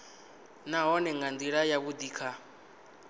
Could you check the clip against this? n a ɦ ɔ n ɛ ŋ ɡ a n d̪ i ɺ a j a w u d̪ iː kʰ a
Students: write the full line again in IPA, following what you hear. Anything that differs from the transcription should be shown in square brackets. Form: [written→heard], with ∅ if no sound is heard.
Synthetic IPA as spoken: n a ɦ ɔ n ɛ ŋ ɡ a n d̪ i ɺ a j a [w→β] u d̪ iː kʰ a